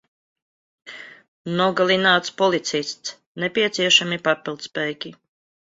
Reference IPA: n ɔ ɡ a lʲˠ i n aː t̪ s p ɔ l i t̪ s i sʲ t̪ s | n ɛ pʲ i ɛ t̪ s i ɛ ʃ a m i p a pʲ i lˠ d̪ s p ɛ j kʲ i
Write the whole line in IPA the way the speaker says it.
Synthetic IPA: n ɔ ɡ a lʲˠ i n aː t̪ s p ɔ l i t̪ s i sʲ t̪ s | n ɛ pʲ i ɛ t̪ s i ɛ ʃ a m i p a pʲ i lˠ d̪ s p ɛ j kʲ i